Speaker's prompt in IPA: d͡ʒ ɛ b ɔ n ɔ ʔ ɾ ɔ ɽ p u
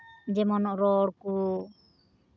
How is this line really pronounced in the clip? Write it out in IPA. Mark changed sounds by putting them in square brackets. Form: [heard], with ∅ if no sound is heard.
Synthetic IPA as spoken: d͡ʒ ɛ [m] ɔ n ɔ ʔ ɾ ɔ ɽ [k] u